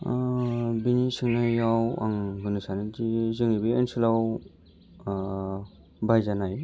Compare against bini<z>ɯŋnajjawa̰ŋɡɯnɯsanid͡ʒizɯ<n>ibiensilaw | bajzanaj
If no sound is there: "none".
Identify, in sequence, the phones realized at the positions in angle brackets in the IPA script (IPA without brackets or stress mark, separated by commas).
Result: s, ŋ